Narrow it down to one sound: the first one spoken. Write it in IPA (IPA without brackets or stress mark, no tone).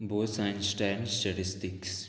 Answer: b